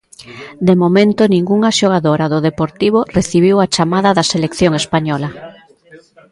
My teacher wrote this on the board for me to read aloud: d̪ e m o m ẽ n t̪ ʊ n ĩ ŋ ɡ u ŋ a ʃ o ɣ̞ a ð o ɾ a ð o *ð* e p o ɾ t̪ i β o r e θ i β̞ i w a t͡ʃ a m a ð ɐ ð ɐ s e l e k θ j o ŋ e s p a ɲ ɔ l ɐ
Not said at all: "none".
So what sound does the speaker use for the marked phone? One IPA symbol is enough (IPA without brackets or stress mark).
ð